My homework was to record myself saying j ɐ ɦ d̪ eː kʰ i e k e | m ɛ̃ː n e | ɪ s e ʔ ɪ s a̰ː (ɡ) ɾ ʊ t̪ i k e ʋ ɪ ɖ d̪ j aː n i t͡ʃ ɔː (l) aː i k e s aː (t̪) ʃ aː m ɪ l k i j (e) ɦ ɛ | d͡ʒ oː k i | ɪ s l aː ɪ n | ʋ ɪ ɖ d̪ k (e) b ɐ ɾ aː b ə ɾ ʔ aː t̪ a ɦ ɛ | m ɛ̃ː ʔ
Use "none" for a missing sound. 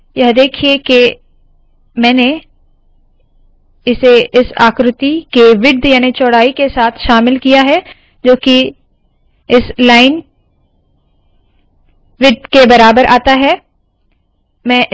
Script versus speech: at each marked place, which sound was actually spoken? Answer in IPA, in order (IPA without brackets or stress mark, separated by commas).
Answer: k, ɽ, t̪ʰ, a, e